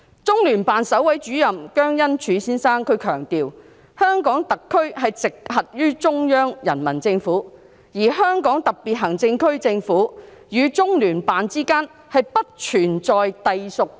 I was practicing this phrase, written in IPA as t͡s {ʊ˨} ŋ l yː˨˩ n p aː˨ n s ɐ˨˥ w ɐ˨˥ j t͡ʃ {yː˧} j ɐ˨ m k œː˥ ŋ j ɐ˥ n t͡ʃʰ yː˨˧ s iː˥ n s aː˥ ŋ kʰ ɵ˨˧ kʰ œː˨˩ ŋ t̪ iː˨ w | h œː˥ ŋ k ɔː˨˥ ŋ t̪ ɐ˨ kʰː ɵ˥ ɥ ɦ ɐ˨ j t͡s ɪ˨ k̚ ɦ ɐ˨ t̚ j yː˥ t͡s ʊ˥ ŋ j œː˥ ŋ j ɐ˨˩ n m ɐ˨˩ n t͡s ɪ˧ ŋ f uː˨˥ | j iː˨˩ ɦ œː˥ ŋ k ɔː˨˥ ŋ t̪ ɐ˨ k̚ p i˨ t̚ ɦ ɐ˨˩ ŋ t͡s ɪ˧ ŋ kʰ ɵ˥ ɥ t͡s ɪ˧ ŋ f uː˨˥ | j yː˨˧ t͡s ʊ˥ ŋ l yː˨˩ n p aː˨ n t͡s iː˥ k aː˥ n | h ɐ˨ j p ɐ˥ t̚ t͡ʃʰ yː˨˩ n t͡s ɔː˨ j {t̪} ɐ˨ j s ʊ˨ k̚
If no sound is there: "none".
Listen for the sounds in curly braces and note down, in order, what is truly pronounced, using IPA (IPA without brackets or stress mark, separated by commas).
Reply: ʊ˥, yː˨˥, t̪